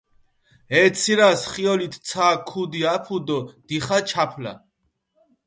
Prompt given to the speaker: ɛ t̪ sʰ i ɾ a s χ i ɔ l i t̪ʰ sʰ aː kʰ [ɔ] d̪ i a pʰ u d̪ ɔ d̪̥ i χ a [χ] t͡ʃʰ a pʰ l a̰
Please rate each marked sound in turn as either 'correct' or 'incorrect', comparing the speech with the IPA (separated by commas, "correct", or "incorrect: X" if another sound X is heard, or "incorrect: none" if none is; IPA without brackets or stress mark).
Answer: incorrect: u, incorrect: none